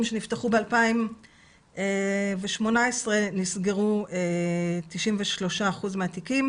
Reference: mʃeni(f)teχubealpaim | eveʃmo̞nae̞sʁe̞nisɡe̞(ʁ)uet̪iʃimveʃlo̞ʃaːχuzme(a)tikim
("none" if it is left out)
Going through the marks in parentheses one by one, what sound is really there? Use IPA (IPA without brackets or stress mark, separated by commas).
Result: f, ʁ, a